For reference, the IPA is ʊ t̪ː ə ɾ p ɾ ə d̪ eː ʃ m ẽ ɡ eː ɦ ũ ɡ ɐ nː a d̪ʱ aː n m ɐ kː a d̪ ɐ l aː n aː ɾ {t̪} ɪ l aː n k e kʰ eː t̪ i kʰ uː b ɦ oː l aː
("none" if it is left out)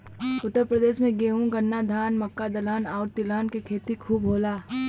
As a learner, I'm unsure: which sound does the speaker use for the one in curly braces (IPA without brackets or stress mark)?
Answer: t̪